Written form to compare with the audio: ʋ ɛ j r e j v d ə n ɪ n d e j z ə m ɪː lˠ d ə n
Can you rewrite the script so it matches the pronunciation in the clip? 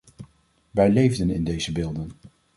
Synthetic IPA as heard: ʋ ɛ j l e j v d ə n ɪ n d e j z ə b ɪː lˠ d ə n